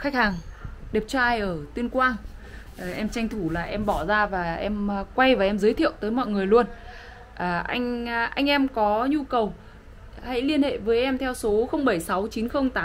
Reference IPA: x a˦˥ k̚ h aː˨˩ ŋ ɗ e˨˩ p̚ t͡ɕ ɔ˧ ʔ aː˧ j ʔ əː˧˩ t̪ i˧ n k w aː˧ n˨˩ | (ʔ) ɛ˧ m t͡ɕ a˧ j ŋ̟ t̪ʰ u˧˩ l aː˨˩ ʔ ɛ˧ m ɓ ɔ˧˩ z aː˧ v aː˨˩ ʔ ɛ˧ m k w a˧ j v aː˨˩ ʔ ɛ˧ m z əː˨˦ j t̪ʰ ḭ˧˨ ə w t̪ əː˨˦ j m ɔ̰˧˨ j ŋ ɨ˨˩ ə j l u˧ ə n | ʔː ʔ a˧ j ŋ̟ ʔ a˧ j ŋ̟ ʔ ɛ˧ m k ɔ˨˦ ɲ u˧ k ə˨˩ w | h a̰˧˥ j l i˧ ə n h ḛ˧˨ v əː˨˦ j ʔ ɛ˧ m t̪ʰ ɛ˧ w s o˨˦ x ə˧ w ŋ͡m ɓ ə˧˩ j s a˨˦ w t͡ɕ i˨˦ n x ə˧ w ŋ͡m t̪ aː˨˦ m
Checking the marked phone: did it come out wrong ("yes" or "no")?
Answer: no